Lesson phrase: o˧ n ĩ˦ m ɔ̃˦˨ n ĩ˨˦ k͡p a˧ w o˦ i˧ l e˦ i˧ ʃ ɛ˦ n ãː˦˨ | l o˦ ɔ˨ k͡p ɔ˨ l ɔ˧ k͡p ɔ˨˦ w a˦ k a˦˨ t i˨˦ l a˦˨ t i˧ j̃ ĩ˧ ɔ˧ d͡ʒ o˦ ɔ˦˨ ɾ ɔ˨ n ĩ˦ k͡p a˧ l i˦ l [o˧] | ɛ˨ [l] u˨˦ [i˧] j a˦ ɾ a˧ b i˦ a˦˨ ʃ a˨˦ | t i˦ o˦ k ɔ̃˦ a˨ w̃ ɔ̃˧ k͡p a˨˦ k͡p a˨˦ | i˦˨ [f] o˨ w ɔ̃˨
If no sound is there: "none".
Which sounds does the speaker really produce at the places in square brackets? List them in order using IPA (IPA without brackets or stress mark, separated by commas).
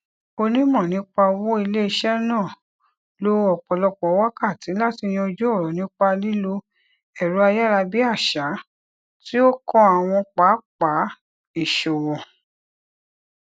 o˧, ɾ, a˧, ʃ